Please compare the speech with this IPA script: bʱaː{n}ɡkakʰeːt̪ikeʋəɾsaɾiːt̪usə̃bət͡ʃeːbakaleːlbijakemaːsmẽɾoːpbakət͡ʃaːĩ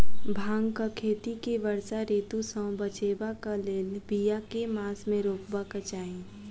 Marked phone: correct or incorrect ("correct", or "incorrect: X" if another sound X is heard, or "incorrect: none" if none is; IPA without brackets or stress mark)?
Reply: incorrect: ŋ